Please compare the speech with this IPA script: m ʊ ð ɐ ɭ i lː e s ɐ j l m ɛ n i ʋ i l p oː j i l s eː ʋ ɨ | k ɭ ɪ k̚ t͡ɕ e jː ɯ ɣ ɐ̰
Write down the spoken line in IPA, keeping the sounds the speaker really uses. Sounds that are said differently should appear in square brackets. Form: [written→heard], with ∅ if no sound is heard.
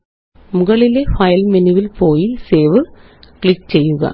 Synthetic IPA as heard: m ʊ [ð→ɣ] ɐ ɭ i [lː→l] e [s→f] ɐ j l m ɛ n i ʋ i l p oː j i l s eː ʋ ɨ | k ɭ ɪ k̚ t͡ɕ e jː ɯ ɣ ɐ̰